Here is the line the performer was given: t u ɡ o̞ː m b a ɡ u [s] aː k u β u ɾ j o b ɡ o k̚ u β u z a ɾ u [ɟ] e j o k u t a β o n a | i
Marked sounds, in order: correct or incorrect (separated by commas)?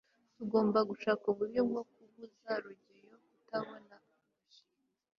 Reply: incorrect, correct